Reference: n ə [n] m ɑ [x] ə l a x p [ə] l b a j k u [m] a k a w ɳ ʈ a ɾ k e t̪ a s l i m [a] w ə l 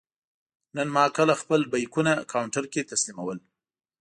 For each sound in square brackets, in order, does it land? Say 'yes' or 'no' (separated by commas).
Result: yes, no, yes, no, yes